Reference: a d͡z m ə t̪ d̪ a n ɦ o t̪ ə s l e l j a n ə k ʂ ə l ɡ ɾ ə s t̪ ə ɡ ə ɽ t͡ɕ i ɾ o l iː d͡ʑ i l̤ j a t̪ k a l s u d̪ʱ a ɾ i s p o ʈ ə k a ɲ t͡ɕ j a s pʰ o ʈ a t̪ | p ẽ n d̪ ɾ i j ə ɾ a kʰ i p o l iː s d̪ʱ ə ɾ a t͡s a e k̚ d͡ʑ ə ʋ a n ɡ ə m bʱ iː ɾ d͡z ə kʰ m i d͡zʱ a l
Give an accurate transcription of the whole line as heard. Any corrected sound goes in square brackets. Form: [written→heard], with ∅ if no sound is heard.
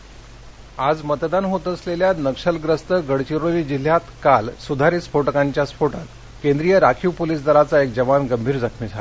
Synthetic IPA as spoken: a d͡z m ə t̪ d̪ a n ɦ o t̪ ə s l e l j a n ə k ʂ ə l ɡ ɾ ə s t̪ ə ɡ ə ɽ t͡ɕ i ɾ o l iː d͡ʑ i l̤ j a t̪ k a l s u d̪ʱ a ɾ i s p o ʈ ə k a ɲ t͡ɕ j a s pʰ o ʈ a t̪ | [p→k] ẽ n d̪ ɾ i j ə ɾ a kʰ i p o l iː s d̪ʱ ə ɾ a t͡s a e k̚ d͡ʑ ə ʋ a n ɡ ə m bʱ iː ɾ d͡z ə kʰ m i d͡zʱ a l